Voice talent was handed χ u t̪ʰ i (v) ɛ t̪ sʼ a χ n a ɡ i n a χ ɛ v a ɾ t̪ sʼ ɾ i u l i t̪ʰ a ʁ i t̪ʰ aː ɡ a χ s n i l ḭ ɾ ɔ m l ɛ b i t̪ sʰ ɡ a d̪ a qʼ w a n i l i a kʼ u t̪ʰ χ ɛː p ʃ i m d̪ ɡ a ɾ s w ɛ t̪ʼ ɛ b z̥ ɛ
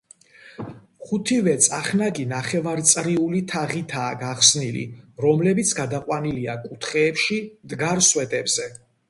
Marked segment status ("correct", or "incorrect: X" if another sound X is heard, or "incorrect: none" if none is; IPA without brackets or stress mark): correct